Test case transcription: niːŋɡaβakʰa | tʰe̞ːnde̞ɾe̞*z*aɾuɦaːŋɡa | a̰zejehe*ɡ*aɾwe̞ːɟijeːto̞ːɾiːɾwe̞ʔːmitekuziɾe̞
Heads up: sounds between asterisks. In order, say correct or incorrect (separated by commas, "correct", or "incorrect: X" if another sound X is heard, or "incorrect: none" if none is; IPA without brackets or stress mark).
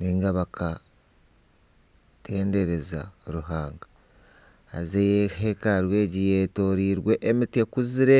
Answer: correct, incorrect: k